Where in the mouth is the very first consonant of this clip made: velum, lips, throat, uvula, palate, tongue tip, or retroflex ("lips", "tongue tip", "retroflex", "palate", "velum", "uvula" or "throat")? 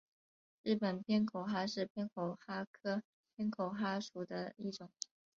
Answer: retroflex